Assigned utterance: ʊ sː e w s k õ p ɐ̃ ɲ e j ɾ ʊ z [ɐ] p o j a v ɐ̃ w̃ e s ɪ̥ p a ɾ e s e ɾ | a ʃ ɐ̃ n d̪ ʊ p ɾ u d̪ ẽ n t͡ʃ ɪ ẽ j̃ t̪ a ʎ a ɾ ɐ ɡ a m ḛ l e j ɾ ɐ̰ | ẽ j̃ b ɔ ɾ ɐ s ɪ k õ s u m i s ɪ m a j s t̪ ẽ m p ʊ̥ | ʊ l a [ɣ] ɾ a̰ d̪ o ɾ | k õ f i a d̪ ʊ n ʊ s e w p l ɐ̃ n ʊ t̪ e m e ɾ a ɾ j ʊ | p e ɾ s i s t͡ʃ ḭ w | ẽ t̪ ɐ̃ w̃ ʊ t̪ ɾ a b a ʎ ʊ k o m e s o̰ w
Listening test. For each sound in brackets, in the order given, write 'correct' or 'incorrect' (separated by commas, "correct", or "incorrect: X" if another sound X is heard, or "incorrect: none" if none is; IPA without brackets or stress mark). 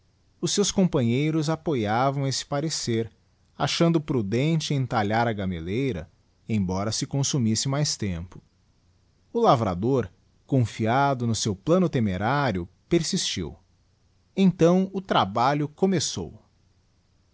incorrect: a, incorrect: v